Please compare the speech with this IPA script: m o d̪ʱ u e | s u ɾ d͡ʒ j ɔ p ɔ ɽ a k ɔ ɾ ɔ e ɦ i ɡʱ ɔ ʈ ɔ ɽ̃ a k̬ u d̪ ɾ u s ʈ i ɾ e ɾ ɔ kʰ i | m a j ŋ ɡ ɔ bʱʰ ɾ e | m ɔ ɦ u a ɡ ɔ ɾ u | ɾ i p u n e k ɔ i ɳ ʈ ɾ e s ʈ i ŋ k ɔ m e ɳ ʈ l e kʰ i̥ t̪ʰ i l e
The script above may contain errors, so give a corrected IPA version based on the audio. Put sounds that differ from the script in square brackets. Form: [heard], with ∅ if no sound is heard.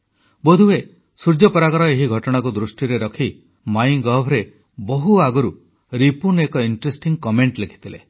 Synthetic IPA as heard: [b] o d̪ʱ u e | s u ɾ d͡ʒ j ɔ p ɔ [ɾ] a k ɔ ɾ ɔ e ɦ i ɡʱ ɔ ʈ ɔ ɽ̃ a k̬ u d̪ ɾ u s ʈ i ɾ e ɾ ɔ kʰ i | m a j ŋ ɡ ɔ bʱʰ ɾ e | [b] ɔ ɦ u a ɡ ɔ ɾ u | ɾ i p u n e k ɔ i ɳ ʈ ɾ e s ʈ i ŋ k ɔ m e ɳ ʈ l e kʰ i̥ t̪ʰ i l e